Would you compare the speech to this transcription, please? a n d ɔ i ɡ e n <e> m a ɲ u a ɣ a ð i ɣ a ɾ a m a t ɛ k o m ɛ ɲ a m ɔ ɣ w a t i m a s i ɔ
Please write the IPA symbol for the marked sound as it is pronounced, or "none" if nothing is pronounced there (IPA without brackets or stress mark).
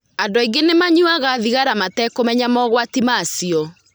e